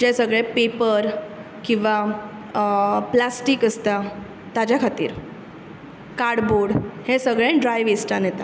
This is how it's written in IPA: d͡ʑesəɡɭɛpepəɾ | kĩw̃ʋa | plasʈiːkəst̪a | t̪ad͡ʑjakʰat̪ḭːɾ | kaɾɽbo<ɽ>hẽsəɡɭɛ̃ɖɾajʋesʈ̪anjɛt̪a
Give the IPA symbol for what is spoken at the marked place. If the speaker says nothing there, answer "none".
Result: ɽ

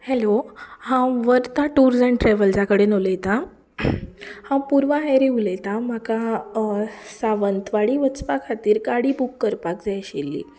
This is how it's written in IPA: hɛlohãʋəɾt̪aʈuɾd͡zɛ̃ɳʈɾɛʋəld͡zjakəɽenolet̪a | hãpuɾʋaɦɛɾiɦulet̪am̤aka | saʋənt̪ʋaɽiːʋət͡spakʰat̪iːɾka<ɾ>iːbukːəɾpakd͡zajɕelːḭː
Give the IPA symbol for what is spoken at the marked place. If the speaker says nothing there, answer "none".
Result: ɽ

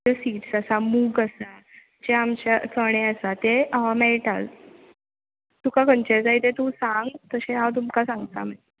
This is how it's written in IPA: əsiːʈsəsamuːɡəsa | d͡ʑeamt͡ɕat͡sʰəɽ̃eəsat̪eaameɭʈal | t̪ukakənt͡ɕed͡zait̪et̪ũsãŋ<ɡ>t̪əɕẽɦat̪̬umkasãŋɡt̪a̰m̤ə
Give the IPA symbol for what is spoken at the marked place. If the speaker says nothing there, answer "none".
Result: ɡ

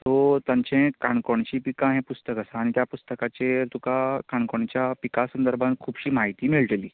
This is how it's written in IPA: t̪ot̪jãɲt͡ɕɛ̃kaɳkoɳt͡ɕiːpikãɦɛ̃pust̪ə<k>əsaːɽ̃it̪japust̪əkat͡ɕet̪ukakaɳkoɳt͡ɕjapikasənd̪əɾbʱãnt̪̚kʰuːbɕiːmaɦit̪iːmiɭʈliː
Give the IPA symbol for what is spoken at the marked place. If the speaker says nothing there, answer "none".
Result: k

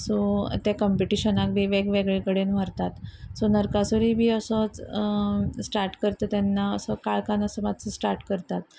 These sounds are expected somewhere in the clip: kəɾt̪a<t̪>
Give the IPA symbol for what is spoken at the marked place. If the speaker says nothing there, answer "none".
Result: t̪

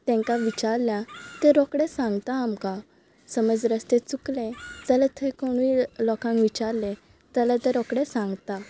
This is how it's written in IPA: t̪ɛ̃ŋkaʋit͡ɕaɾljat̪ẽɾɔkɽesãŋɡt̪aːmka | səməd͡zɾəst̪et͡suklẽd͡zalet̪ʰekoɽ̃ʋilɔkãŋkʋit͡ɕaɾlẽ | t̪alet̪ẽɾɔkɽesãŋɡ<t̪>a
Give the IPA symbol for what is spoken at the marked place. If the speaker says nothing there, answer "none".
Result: t̪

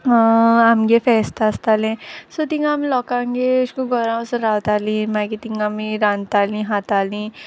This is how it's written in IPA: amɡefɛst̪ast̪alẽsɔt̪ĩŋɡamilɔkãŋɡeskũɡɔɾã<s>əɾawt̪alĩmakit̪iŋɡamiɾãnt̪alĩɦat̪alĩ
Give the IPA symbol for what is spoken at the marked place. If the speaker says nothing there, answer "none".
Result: s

